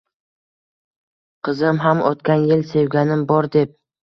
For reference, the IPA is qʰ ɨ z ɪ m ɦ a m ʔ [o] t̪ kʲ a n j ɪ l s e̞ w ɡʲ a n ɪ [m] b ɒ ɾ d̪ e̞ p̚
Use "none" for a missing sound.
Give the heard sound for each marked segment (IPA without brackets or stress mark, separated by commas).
ɒ, m